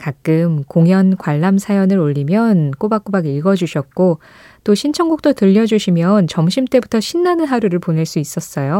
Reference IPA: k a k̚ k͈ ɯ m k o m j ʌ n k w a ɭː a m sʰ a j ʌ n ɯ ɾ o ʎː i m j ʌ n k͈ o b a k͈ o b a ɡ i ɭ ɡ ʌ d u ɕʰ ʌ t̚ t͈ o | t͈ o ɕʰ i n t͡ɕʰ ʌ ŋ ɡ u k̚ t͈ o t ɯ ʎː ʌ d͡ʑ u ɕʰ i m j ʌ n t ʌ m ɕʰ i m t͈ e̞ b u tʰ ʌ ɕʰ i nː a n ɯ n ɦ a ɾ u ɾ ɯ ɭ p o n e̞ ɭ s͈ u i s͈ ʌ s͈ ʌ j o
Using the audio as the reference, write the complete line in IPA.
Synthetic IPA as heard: k a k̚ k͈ ɯ m k o ŋ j ʌ n k w a ɭː a m sʰ a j ʌ n ɯ ɾ o ʎː i m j ʌ n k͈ o b a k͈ o b a ɡ i ɭ ɡ ʌ d͡ʑ u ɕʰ ʌ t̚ k͈ o | t͈ o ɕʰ i n t͡ɕʰ ʌ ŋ ɡ u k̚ t͈ o t ɯ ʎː ʌ d͡ʑ u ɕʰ i m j ʌ n t͡ɕ ʌ m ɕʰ i m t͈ e̞ b u tʰ ʌ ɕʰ i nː a n ɯ n ɦ a ɾ u ɾ ɯ ɭ p o n e̞ ɭ s͈ u i s͈ ʌ s͈ ʌ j o